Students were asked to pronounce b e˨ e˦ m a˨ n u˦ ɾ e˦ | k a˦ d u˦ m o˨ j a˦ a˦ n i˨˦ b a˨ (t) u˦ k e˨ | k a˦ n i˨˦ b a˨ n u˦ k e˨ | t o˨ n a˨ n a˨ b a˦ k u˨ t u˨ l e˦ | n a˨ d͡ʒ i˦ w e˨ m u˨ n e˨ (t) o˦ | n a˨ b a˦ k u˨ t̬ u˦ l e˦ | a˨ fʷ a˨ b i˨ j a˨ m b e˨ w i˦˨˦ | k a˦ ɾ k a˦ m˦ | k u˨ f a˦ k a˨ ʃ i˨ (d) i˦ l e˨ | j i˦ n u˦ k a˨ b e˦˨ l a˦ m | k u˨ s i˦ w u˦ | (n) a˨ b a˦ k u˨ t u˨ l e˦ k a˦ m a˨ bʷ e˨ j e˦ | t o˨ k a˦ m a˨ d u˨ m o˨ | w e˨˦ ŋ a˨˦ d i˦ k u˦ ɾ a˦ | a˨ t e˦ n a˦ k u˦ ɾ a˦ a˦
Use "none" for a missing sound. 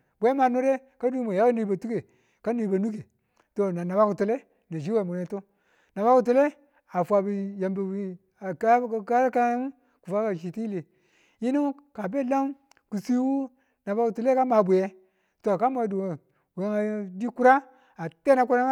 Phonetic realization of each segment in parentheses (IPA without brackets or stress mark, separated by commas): t, t, t, n